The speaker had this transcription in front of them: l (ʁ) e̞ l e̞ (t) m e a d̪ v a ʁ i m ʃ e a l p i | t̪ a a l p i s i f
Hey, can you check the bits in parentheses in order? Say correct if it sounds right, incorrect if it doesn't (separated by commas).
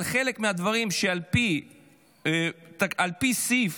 incorrect, incorrect